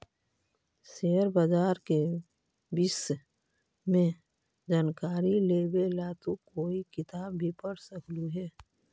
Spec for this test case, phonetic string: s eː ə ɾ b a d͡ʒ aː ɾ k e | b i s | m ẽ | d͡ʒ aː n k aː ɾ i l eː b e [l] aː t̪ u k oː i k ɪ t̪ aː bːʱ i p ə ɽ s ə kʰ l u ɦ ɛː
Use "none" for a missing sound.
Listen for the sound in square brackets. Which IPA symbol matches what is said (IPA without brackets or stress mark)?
l